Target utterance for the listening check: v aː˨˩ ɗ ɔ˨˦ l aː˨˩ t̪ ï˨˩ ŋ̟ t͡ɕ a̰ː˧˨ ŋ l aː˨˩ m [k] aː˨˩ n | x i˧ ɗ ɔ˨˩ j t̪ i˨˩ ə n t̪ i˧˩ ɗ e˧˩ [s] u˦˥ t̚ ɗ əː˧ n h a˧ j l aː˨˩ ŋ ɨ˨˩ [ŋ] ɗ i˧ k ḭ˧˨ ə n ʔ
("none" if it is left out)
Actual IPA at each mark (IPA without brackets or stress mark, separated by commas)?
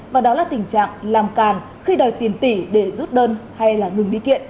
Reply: k, z, ŋ